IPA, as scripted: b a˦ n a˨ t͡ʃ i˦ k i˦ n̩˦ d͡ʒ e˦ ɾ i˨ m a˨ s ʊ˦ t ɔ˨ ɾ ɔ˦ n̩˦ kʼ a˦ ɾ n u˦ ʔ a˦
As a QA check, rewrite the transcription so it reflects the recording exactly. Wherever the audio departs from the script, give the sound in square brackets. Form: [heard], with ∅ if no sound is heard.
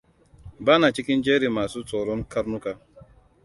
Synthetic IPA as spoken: b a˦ n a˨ t͡ʃ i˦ k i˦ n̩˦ d͡ʒ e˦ ɾ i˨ m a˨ s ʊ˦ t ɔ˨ ɾ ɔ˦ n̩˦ [k] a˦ ɾ n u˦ [k] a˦

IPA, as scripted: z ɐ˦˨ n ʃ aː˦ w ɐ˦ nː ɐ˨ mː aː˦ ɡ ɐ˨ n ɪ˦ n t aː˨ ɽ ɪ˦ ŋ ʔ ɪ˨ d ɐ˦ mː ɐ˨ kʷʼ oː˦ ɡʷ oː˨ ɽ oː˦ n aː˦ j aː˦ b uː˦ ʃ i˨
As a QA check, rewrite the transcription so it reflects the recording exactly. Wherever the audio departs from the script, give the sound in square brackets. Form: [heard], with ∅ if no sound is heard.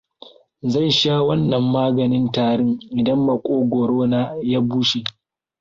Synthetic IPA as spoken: z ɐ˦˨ n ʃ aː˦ w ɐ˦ nː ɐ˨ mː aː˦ ɡ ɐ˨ n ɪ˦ n t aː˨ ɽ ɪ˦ ŋ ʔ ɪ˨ d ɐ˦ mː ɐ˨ kʷʼ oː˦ ɡʷ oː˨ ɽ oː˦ n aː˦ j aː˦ b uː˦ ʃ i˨

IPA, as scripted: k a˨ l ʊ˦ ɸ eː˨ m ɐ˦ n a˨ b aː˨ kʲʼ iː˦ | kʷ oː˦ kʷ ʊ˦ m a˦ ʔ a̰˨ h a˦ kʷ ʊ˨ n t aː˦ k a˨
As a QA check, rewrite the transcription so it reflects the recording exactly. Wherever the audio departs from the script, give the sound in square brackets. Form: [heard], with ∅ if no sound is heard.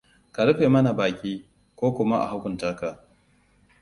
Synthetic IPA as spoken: k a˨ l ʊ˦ ɸ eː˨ m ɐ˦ n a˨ b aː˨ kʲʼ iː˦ | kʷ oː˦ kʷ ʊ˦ m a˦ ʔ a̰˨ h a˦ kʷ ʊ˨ n t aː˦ k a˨

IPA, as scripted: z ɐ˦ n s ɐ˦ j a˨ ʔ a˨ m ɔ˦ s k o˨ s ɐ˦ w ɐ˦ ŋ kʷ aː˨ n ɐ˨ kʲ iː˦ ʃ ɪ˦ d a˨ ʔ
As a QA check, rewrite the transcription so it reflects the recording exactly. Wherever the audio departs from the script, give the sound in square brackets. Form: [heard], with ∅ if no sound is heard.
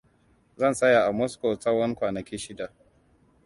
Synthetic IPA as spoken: z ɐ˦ n s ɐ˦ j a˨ ʔ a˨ m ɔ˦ s k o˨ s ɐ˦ w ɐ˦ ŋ kʷ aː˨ n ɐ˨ kʲ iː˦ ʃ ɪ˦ d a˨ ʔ

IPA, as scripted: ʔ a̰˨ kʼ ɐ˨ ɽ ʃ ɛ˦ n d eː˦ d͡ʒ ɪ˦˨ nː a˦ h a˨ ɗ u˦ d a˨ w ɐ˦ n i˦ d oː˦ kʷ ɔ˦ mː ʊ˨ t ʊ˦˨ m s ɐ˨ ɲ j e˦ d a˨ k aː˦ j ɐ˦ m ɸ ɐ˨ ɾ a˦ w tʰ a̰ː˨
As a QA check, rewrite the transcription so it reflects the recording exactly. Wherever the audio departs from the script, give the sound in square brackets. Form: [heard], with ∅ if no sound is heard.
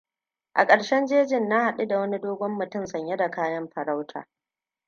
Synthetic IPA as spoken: ʔ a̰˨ kʼ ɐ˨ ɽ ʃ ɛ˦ n [d͡ʒ] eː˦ d͡ʒ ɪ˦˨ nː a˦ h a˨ ɗ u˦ d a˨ w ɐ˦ n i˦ d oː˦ [ɡʷ] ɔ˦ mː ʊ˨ t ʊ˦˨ m s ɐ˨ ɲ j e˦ d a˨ k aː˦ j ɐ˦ m ɸ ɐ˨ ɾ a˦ w tʰ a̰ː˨

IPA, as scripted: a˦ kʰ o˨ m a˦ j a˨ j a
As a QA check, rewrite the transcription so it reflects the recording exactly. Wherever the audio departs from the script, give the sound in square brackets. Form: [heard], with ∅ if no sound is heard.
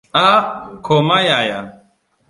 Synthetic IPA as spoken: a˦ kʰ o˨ m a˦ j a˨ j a

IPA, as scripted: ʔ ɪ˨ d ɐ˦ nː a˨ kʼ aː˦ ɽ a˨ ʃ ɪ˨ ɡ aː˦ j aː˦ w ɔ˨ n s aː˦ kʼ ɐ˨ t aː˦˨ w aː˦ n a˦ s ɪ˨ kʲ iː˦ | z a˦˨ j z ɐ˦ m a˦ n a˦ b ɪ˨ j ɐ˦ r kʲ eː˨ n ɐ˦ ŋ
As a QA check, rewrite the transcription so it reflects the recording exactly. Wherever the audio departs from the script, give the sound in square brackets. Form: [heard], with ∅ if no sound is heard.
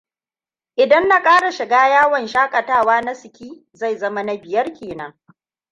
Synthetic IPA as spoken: ʔ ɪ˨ d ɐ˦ nː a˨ kʼ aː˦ ɽ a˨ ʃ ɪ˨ ɡ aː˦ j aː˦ w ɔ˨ n [ʃ] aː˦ kʼ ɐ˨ t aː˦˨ w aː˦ n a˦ s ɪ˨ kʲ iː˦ | z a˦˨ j z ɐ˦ m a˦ n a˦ b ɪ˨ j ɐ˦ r kʲ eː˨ n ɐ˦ ŋ

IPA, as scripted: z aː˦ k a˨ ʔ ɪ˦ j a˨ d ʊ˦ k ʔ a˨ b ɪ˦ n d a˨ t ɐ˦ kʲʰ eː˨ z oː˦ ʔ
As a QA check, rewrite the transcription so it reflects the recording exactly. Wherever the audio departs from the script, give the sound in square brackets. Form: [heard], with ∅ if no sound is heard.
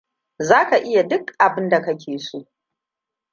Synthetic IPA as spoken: z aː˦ k a˨ ʔ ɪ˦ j a˨ d ʊ˦ k ʔ a˨ b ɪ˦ n d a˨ [k] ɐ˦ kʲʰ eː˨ [s] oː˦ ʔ

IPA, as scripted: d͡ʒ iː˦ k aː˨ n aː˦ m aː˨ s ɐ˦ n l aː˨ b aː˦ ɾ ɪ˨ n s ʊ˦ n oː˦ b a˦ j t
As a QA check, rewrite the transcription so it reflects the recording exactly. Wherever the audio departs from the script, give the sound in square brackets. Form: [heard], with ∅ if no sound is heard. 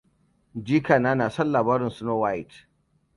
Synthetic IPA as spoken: d͡ʒ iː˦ k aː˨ n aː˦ [n] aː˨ s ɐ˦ n l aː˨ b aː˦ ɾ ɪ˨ n s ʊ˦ n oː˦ [w] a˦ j t

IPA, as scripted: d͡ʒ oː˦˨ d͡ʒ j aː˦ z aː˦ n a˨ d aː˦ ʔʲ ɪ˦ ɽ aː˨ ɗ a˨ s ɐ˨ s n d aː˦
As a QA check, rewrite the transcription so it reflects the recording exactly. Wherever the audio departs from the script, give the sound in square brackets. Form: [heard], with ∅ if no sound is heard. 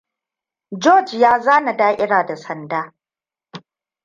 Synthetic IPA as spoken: d͡ʒ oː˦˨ d͡ʒ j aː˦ z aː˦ n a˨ d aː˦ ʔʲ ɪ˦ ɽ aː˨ [d] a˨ s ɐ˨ [∅] n d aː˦

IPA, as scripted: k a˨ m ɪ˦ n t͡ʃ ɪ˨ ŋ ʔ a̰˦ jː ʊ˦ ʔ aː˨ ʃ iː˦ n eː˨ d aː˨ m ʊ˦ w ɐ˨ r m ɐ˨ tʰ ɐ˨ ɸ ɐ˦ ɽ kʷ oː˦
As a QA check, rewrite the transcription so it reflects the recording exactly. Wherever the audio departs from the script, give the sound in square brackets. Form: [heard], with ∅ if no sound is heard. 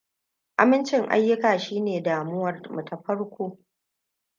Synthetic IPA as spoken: [ʔ] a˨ m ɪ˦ n t͡ʃ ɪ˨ ŋ ʔ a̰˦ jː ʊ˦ [k] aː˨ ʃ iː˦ n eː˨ d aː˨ m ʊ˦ w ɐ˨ r m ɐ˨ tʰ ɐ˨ ɸ ɐ˦ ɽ kʷ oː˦

